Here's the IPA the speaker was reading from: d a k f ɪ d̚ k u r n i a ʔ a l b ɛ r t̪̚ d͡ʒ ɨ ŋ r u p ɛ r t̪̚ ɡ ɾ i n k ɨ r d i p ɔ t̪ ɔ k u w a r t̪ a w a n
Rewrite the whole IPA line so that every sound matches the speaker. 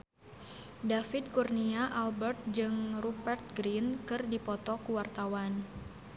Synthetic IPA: d a f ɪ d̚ k u r n i a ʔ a l b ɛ r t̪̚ d͡ʒ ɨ ŋ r u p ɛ r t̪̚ ɡ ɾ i n k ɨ r d i p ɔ t̪ ɔ k u w a r t̪ a w a n